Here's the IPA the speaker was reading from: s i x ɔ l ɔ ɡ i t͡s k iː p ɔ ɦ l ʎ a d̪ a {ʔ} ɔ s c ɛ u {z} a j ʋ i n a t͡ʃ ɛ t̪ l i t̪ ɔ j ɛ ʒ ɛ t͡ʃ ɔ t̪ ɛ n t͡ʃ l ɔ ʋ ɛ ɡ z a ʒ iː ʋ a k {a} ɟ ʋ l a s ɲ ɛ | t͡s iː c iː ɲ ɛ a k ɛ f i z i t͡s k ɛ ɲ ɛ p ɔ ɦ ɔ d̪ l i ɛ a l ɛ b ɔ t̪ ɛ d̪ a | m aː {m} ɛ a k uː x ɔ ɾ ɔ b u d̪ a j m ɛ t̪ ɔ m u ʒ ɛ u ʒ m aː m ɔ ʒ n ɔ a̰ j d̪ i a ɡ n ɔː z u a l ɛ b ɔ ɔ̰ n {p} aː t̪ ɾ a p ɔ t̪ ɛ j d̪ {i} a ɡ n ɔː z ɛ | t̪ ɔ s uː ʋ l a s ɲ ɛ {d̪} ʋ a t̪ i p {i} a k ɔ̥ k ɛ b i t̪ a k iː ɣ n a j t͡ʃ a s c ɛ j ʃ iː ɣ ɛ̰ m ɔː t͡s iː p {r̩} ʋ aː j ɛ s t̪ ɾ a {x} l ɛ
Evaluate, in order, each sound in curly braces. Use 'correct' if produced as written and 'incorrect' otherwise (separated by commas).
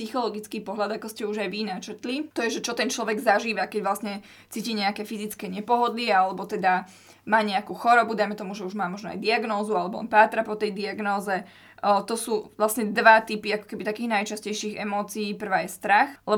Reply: incorrect, incorrect, incorrect, incorrect, correct, correct, correct, correct, correct, correct